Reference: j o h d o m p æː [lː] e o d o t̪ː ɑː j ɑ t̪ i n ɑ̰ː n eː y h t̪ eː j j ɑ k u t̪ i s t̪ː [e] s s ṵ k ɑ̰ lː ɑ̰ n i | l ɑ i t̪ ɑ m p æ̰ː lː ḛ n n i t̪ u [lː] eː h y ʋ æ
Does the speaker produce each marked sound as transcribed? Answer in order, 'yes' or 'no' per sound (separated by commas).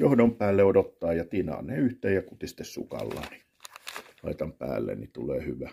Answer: yes, yes, no